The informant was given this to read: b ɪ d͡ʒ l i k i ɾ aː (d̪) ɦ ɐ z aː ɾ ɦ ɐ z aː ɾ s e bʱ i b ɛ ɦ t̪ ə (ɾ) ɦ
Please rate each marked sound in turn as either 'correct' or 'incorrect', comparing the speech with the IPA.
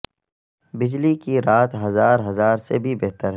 incorrect, correct

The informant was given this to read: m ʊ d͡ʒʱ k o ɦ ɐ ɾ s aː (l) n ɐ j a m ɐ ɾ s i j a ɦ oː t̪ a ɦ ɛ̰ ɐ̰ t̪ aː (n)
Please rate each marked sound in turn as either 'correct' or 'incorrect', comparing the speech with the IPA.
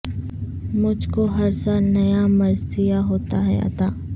correct, incorrect

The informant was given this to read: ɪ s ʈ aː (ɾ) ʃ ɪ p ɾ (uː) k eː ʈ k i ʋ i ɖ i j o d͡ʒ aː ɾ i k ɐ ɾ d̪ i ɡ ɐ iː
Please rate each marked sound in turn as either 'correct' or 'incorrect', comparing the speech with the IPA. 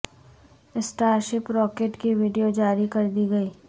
correct, incorrect

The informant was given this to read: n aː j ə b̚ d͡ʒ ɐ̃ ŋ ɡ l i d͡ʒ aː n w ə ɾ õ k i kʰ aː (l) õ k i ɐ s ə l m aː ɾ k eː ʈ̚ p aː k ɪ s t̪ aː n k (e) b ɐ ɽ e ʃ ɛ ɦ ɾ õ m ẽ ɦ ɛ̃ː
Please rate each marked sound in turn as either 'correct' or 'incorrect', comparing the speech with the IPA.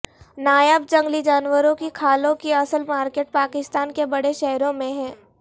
correct, correct

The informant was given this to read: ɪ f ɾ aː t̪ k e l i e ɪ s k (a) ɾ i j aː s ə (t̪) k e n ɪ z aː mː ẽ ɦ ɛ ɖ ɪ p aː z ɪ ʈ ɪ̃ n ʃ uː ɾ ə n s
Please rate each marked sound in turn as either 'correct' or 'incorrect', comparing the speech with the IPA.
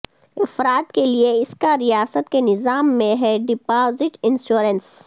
correct, correct

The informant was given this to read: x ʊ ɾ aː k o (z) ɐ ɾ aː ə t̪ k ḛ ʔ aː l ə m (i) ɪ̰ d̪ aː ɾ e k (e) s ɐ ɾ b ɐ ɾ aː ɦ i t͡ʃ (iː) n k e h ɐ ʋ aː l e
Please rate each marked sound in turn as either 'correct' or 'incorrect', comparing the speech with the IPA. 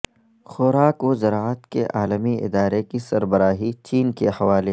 correct, correct, incorrect, correct

